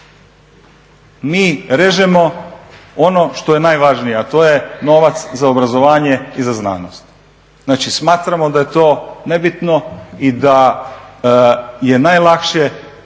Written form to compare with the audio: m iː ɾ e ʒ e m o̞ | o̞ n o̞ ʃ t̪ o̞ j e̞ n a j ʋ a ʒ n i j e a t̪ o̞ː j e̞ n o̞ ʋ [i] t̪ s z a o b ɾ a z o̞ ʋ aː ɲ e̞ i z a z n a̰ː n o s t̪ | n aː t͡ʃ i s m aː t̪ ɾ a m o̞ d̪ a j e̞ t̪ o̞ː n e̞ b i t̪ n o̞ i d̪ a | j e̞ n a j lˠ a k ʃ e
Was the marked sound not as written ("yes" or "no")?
yes